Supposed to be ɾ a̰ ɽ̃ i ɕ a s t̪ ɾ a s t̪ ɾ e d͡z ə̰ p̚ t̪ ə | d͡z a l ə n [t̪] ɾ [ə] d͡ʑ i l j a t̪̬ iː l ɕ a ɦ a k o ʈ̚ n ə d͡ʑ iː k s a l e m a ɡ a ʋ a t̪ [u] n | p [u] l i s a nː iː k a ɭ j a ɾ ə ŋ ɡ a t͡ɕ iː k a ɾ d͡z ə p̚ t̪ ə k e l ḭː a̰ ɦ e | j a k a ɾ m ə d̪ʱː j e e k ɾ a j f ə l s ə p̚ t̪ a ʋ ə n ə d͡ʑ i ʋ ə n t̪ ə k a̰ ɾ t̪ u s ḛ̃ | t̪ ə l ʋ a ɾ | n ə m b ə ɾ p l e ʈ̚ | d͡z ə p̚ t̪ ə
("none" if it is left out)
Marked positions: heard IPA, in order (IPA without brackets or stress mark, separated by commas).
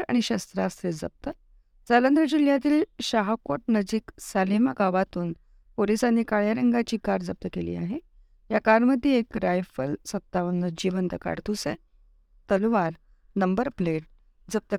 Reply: d̪, ə, uː, o